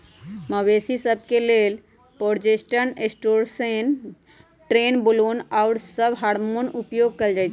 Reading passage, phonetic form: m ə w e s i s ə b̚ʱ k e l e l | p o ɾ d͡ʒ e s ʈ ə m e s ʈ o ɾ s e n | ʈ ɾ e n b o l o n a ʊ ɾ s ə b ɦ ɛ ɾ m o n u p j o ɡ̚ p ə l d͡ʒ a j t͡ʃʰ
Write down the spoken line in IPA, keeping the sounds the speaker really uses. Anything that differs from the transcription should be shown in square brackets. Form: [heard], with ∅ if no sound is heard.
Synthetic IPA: m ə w e s i s ə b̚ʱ k e l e l | p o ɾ d͡ʒ e s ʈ ə [n] e s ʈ o ɾ s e n | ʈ ɾ e n b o l o n a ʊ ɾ s ə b ɦ [a] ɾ m o n u p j o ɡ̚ [k] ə l d͡ʒ a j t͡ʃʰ